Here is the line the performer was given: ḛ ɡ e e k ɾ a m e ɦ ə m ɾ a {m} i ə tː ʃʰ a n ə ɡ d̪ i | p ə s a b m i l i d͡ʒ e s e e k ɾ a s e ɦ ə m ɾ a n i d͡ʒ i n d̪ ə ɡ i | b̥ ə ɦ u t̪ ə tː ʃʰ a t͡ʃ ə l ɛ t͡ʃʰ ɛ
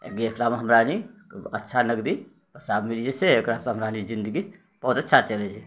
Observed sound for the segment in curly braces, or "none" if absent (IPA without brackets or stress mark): n